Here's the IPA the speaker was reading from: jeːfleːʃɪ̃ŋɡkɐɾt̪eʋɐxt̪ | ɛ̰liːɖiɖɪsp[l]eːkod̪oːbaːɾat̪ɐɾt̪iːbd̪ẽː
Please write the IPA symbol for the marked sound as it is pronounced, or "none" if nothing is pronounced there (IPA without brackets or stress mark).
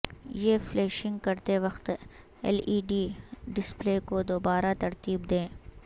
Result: l